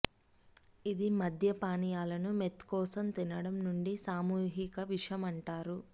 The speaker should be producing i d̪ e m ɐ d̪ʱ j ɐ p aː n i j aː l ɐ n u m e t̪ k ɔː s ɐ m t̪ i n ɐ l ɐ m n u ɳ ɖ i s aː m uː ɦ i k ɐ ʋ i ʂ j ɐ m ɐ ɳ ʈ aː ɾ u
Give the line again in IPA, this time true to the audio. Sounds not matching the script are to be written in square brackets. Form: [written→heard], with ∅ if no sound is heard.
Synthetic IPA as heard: i d̪ [e→i] m ɐ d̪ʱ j ɐ p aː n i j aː l ɐ n u m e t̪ k ɔː s ɐ m t̪ i n ɐ [l→ɽ] ɐ m n u ɳ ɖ i s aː m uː ɦ i k ɐ ʋ i ʂ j ɐ m ɐ ɳ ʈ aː ɾ u